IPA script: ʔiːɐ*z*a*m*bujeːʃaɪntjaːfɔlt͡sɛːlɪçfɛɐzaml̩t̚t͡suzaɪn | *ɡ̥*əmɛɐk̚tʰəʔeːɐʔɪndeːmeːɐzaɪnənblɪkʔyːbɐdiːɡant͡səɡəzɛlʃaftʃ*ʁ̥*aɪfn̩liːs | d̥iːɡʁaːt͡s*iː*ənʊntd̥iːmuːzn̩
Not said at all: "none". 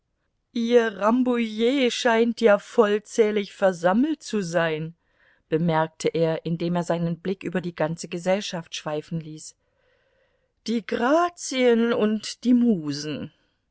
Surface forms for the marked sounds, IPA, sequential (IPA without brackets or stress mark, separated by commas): ʁ, m, b̥, v̥, i